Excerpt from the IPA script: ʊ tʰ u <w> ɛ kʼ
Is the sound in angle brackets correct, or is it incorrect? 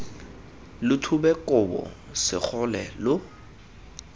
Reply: incorrect